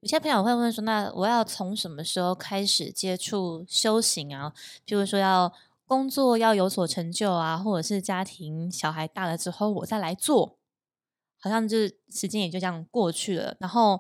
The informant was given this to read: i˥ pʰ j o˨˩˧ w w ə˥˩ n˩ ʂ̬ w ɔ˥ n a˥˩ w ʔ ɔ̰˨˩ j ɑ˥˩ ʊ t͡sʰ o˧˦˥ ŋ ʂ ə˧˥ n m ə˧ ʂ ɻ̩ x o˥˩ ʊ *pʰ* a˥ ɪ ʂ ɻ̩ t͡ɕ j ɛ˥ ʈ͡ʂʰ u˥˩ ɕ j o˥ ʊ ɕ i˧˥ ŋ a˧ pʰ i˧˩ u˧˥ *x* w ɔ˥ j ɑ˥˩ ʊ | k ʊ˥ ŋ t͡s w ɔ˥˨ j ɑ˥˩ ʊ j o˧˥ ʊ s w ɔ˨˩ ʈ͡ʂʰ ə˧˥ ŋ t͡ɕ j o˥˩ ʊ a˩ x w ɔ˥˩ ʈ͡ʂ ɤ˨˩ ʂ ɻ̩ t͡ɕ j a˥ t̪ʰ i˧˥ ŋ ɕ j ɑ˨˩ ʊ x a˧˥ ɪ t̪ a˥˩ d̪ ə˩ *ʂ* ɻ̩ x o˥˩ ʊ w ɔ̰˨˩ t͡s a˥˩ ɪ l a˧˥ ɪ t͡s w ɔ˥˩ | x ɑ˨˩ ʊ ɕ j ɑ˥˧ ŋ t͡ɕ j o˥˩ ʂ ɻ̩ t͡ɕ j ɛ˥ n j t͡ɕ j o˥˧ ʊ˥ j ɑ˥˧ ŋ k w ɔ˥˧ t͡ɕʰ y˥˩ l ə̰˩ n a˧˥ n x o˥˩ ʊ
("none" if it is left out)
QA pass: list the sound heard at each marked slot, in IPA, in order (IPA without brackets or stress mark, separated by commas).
kʰ, ʂ, ʈ͡ʂ